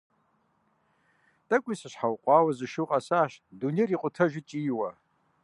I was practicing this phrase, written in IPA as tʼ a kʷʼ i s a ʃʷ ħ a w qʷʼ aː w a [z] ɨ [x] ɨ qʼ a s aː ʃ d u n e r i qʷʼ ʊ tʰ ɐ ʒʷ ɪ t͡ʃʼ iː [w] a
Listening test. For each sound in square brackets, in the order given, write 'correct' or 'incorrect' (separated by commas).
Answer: correct, incorrect, correct